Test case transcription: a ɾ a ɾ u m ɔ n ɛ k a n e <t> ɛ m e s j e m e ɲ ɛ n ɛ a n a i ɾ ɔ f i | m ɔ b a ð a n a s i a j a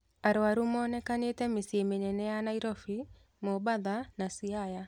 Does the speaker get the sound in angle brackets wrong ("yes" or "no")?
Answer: no